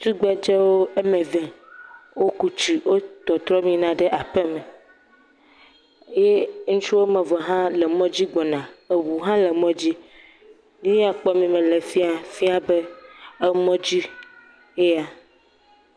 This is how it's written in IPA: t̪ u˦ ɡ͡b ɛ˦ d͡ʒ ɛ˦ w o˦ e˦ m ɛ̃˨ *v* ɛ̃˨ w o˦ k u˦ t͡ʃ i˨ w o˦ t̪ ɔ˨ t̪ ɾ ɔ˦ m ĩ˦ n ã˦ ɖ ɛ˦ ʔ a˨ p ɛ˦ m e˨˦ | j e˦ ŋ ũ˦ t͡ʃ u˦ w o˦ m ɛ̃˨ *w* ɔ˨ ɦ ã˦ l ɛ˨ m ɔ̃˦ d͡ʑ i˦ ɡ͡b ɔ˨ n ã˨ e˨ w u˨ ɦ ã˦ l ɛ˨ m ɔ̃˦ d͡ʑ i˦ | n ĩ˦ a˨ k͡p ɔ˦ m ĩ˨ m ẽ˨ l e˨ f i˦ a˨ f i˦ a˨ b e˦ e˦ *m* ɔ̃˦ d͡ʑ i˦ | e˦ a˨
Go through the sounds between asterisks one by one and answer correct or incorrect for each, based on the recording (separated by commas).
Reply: correct, incorrect, correct